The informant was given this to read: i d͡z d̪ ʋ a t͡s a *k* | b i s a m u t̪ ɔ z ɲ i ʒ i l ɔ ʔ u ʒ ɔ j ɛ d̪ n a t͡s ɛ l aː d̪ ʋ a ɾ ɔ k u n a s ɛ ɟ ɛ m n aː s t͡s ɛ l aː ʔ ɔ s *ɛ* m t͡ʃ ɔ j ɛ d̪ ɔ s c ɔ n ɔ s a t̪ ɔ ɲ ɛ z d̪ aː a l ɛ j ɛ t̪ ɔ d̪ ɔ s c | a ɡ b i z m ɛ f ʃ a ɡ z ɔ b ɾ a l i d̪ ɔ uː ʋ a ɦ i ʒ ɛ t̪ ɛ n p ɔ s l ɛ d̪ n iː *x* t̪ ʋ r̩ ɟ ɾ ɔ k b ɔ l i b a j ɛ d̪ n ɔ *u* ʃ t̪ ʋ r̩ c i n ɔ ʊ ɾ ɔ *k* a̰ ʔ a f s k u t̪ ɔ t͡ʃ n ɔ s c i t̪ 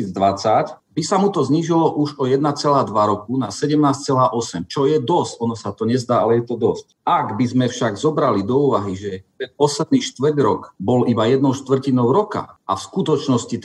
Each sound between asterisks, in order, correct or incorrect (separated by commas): incorrect, correct, incorrect, incorrect, correct